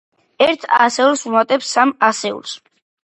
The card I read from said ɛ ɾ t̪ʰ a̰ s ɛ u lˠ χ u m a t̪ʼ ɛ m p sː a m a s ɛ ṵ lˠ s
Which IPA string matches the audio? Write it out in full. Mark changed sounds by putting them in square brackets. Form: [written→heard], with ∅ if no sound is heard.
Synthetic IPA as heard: ɛ ɾ t̪ʰ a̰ s ɛ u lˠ [χ→s] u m a t̪ʼ ɛ [m→∅] p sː a m a s ɛ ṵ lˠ s